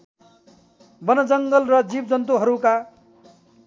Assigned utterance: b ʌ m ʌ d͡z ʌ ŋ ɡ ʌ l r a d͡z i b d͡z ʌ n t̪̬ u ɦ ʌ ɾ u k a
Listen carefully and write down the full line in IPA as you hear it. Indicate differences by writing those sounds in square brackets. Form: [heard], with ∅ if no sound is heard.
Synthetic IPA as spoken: b ʌ [n] ʌ d͡z ʌ ŋ ɡ ʌ l r [ʌ] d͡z i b d͡z ʌ n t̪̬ u ɦ ʌ ɾ u k a